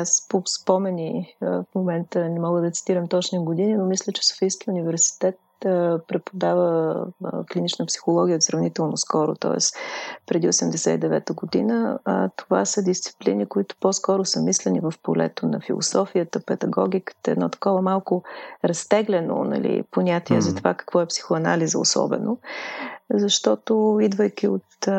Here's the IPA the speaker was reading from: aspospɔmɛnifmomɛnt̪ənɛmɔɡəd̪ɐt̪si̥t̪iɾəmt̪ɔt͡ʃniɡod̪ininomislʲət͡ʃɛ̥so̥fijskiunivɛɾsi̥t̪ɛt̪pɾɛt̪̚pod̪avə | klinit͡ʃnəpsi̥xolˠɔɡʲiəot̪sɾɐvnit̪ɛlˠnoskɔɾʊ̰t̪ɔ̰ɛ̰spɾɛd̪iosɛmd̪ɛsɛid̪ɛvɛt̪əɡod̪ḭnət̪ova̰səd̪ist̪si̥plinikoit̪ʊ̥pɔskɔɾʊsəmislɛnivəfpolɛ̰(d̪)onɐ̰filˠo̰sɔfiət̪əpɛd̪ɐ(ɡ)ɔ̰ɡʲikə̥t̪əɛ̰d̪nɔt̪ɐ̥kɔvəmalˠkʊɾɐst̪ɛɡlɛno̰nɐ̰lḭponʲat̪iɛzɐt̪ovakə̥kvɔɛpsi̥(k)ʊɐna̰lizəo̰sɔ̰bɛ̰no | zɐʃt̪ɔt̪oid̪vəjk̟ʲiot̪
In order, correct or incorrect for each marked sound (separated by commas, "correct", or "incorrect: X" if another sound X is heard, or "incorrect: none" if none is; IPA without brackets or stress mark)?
incorrect: t̪, correct, incorrect: x